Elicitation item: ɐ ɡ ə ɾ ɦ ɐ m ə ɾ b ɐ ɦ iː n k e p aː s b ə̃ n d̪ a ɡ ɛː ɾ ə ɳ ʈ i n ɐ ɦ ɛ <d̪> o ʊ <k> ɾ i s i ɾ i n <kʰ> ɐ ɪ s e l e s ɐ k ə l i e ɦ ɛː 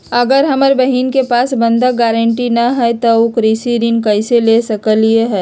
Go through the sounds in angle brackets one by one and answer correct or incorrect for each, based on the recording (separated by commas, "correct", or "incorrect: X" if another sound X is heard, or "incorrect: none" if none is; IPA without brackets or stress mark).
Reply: incorrect: t̪, correct, incorrect: k